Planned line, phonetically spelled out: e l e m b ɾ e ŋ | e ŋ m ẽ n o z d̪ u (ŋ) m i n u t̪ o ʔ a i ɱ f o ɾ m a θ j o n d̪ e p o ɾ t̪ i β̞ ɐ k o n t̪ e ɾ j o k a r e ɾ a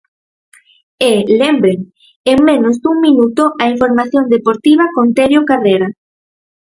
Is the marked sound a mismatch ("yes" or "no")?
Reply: no